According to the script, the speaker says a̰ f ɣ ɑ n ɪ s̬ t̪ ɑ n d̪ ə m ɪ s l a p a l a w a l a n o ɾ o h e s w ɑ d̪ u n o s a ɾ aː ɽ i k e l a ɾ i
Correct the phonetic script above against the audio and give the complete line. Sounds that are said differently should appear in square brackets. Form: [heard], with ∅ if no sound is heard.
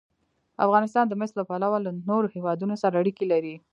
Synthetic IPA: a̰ f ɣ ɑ n ɪ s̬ t̪ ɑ n d̪ ə m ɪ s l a p a l a w a l a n o ɾ o h e [∅] w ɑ d̪ u n o s a ɾ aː ɽ i k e l a ɾ i